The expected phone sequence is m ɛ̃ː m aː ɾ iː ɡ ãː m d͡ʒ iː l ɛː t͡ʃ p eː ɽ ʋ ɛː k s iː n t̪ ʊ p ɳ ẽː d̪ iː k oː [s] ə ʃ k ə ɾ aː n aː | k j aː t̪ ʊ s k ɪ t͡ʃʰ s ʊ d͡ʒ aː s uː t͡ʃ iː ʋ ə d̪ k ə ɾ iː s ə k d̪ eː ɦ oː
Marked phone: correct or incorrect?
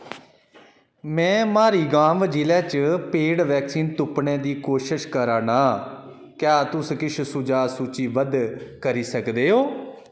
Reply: incorrect